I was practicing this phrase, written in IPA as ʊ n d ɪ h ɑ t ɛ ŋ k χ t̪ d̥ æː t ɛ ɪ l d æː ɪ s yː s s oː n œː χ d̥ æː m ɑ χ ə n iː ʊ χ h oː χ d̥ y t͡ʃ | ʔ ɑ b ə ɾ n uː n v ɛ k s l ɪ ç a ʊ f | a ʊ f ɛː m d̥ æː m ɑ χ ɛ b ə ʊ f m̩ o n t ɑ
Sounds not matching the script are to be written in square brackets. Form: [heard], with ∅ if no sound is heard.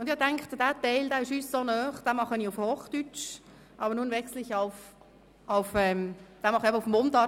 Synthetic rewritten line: ʊ n d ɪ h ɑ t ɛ ŋ k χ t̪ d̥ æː t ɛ ɪ l d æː ɪ [ʃ] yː s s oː n œː χ d̥ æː m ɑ χ ə n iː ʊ [f] h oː χ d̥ y t͡ʃ | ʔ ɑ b ə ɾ n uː n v ɛ k s l ɪ ç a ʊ f | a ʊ f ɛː m d̥ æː m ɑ χ ɛ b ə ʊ f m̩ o n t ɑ